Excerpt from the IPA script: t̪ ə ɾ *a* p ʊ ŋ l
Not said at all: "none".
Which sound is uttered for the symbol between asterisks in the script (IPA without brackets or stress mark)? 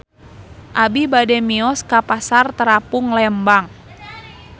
a